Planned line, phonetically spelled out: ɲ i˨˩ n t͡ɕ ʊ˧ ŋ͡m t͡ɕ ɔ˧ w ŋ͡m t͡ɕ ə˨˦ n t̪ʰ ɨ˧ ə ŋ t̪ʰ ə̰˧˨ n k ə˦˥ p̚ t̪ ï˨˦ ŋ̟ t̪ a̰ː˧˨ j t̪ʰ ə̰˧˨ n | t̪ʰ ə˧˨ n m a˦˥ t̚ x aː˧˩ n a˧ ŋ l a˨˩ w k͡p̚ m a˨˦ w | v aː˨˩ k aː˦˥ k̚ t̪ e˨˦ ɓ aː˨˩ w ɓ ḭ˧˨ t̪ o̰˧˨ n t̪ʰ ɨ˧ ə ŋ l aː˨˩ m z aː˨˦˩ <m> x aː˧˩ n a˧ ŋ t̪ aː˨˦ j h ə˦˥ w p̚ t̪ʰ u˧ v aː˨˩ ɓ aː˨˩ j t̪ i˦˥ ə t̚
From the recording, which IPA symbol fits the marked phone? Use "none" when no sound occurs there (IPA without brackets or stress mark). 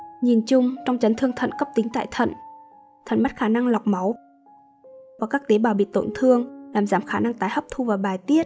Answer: m